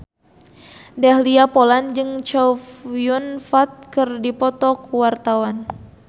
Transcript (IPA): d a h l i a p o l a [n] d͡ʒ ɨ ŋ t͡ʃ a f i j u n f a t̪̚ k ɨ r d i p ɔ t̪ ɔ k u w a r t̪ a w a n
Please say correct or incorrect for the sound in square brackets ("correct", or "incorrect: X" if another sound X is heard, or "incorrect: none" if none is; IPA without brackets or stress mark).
correct